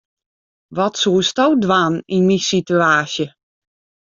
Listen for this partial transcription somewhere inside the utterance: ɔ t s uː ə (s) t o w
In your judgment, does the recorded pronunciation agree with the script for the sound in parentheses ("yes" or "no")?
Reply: yes